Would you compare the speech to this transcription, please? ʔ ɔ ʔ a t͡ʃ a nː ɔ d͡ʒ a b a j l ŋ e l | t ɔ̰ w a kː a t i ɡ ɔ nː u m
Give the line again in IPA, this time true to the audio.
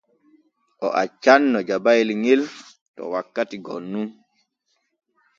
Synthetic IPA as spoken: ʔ ɔ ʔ a t͡ʃ a nː ɔ d͡ʒ a b a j l ŋ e l | t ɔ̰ w a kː a t i ɡ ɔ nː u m